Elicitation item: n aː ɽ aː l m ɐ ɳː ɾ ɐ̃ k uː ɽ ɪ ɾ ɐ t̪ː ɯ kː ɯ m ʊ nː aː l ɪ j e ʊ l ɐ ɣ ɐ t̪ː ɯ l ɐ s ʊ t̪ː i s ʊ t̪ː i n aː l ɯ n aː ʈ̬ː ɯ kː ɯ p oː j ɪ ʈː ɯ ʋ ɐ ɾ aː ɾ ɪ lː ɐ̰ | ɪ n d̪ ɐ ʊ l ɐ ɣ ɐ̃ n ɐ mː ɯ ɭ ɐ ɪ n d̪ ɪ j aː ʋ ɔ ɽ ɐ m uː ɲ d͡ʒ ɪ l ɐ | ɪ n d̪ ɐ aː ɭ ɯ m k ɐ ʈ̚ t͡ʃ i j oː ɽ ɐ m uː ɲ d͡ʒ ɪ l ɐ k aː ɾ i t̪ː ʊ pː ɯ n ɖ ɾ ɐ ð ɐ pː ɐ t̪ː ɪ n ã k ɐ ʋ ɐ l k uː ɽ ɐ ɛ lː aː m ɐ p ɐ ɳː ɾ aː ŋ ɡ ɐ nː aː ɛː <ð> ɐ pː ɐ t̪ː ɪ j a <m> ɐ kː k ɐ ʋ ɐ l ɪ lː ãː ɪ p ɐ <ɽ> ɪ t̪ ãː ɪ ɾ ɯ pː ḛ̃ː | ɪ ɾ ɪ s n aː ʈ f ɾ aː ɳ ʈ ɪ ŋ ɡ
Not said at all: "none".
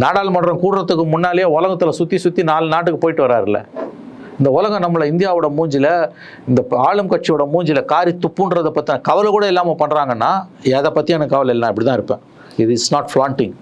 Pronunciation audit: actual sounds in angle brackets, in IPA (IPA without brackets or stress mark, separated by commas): ð, n, ɽ